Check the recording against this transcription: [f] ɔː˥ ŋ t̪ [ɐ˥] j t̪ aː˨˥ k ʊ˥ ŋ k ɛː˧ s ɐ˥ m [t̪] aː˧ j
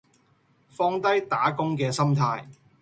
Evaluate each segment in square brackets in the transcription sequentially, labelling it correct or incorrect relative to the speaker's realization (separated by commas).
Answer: correct, correct, incorrect